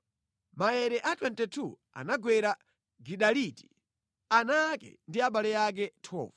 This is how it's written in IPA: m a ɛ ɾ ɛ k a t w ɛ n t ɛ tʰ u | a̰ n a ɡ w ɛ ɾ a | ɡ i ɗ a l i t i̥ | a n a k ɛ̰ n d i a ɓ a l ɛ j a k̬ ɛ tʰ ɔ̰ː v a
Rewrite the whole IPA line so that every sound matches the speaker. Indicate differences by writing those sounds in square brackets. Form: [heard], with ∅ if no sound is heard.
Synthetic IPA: m a ɛ ɾ ɛ [ʔ] a t w ɛ n t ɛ tʰ u | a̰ n a ɡ w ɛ ɾ a | ɡ i ɗ a l i t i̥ | a n a k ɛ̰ n d i a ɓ a l ɛ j a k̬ ɛ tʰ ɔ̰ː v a